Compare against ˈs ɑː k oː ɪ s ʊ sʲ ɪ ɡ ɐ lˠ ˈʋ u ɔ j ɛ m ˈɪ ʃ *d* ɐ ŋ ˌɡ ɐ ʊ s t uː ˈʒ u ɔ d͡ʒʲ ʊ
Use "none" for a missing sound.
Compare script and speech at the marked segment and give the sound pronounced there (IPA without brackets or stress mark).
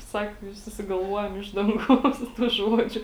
d